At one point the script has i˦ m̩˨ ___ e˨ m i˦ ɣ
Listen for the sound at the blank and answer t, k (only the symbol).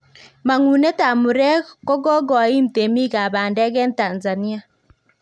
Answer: t